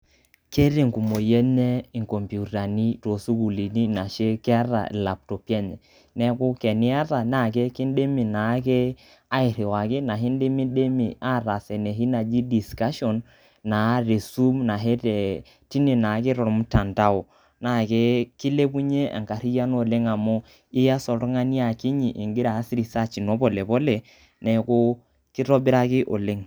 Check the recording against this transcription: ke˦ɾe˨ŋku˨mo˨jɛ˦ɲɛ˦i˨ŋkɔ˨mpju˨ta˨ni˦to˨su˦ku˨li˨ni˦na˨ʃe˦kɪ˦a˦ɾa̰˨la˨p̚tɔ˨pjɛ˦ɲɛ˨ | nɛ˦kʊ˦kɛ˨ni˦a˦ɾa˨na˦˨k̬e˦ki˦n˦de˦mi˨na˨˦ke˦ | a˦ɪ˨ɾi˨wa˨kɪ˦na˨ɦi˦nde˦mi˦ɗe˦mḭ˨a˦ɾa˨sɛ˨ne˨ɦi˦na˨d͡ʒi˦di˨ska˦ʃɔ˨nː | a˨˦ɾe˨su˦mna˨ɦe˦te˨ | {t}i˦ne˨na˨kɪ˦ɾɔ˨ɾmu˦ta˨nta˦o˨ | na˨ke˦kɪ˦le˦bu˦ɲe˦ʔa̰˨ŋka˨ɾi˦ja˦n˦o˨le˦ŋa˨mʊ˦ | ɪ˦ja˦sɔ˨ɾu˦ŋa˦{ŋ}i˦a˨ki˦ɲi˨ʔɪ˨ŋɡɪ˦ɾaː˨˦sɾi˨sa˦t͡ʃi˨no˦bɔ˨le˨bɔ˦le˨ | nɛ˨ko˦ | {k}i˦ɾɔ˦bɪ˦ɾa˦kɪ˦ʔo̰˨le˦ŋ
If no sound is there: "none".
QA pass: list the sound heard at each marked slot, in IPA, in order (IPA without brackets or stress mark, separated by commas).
t, n, k